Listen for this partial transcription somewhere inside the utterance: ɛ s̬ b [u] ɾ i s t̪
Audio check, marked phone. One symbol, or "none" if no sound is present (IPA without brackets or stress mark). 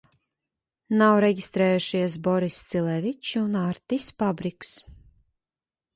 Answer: ɔ